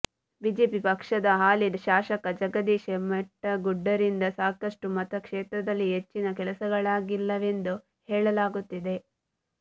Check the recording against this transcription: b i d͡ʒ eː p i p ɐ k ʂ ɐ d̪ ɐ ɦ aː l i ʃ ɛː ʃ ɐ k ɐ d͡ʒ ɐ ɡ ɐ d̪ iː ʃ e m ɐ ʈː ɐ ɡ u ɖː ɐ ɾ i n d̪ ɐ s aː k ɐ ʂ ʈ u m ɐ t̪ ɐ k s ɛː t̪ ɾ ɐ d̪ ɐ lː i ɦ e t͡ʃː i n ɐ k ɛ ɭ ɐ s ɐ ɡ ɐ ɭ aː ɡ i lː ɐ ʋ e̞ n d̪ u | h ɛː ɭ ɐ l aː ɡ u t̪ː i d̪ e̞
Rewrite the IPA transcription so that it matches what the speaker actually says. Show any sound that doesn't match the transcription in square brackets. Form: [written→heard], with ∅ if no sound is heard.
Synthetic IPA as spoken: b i d͡ʒ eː p i p ɐ k ʂ ɐ d̪ ɐ ɦ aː l i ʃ [ɛː→aː] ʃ ɐ k ɐ d͡ʒ ɐ ɡ ɐ d̪ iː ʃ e m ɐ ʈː ɐ ɡ u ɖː ɐ ɾ i n d̪ ɐ s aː k ɐ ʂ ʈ u m ɐ t̪ ɐ k [s→ʂ] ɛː t̪ ɾ ɐ d̪ ɐ lː i ɦ e t͡ʃː i n ɐ k ɛ [ɭ→l] ɐ s ɐ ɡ ɐ ɭ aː ɡ i lː ɐ ʋ e̞ n d̪ u | h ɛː ɭ ɐ l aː ɡ u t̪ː i d̪ e̞